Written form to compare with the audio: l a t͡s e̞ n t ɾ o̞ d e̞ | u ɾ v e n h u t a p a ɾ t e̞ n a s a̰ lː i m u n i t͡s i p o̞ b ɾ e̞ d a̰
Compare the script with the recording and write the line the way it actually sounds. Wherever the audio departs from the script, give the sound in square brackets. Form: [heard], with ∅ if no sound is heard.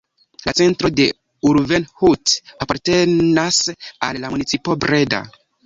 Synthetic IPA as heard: l a t͡s e̞ n t ɾ o̞ d e̞ | u ɾ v e n h u t a p a ɾ t e̞ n a s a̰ lː [a] m u n i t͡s i p o̞ b ɾ e̞ d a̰